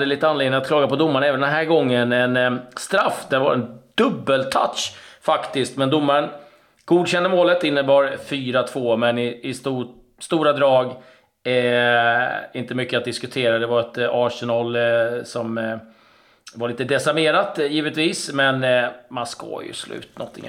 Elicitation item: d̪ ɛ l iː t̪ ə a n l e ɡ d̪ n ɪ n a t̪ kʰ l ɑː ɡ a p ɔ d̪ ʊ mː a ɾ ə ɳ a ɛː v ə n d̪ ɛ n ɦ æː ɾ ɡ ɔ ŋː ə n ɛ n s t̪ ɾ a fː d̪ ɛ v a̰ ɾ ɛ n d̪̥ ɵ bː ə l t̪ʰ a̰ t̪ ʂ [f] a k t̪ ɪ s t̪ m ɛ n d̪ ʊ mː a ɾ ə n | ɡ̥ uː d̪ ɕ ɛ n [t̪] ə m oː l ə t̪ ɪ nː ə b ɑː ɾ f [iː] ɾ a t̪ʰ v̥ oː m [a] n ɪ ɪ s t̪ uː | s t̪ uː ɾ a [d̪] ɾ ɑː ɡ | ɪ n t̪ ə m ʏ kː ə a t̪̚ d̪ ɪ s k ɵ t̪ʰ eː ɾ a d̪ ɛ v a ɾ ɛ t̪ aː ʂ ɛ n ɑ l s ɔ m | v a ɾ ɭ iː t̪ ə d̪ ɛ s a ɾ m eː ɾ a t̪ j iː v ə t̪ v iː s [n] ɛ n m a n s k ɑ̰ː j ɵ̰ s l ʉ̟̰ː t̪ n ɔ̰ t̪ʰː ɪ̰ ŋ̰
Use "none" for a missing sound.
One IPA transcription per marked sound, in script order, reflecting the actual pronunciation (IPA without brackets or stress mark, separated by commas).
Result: f, d̪, yː, ɛ, d̪, m